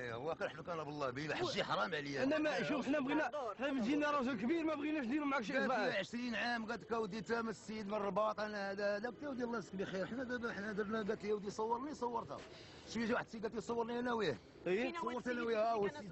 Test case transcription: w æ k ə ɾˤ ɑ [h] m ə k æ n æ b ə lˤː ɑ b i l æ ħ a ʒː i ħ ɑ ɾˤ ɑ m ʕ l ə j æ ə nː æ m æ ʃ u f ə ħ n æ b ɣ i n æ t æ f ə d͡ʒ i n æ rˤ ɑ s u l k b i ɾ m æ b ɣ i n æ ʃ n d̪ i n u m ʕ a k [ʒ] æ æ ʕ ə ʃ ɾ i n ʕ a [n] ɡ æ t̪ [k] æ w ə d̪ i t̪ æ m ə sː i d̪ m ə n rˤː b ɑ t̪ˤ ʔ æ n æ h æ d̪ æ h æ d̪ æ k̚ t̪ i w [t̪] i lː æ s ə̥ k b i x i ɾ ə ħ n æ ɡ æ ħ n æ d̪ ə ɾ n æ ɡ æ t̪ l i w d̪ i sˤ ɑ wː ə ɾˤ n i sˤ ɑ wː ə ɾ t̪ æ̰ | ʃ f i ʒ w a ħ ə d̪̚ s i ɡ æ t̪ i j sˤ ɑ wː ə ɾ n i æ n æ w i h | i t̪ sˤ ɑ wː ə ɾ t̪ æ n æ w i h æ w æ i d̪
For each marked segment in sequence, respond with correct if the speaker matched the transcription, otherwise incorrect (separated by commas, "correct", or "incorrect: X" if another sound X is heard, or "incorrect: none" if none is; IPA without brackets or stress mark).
incorrect: ħ, incorrect: ʃ, incorrect: m, correct, incorrect: d̪